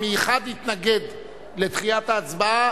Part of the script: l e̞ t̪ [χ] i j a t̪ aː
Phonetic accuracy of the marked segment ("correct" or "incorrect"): correct